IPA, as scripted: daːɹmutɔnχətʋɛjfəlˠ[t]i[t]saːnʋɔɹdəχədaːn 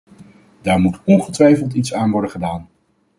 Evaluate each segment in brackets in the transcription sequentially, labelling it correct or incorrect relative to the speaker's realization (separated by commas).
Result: correct, correct